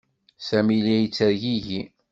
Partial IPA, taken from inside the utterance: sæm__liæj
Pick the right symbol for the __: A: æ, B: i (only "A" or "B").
B